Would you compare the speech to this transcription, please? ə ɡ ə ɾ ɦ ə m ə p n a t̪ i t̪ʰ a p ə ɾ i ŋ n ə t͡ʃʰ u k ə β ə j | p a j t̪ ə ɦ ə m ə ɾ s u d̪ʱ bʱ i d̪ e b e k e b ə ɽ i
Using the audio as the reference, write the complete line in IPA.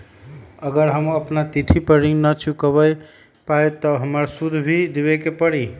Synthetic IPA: ə ɡ ə ɾ ɦ ə m ə p n a t̪ i t̪ʰ i p ə ɾ i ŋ n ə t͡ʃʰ u k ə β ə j | p a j t̪ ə ɦ ə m ə ɾ s u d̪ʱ bʱ i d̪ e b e k e p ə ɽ i